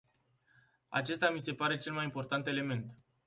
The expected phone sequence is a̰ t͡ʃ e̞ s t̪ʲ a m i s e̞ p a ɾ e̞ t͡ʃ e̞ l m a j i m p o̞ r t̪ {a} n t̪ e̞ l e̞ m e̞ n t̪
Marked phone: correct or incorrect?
correct